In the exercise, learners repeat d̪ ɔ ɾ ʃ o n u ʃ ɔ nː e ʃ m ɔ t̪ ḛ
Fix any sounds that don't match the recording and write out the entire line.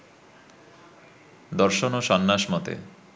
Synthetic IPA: d̪ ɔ ɾ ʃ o n o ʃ ɔ nː a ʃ m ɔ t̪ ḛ